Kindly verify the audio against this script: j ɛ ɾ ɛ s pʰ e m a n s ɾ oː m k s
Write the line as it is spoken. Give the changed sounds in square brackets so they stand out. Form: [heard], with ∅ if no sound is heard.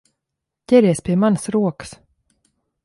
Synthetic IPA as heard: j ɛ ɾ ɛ s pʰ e m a n s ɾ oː [∅] k s